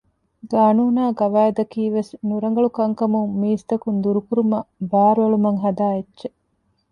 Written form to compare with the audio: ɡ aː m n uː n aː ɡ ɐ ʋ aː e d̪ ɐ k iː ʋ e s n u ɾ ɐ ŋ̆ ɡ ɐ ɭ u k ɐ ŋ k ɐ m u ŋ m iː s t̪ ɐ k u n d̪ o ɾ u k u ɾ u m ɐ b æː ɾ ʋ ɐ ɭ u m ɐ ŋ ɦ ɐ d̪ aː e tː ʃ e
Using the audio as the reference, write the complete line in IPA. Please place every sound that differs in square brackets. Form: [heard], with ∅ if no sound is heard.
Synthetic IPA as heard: ɡ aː [∅] n uː n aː ɡ ɐ ʋ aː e d̪ ɐ k iː ʋ e s n u ɾ ɐ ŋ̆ ɡ ɐ ɭ u k ɐ ŋ k ɐ m u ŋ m iː s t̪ ɐ k u n d̪ [u] ɾ u k u ɾ u m ɐ b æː ɾ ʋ ɐ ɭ u m ɐ ŋ ɦ ɐ d̪ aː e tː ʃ e